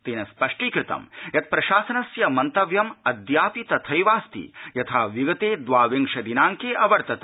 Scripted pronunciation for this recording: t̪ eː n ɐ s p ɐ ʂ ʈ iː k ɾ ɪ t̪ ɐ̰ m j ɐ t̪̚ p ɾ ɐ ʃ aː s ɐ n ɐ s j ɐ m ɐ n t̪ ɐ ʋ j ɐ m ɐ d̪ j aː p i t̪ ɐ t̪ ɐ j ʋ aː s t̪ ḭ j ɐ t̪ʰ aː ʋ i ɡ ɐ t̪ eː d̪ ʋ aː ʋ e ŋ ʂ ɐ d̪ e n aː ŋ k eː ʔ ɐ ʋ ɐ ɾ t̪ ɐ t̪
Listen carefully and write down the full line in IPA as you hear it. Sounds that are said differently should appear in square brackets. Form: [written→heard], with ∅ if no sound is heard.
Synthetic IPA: t̪ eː n ɐ s p ɐ ʂ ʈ iː k ɾ ɪ t̪ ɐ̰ m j ɐ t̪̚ p ɾ ɐ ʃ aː s ɐ n ɐ s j ɐ m ɐ n t̪ ɐ ʋ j ɐ m ɐ d̪ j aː p i t̪ ɐ [t̪→t̪ʰ] ɐ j ʋ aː s t̪ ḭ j ɐ t̪ʰ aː ʋ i ɡ ɐ t̪ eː d̪ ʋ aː ʋ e ŋ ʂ ɐ d̪ [e→i] n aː ŋ k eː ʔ ɐ ʋ ɐ ɾ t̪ ɐ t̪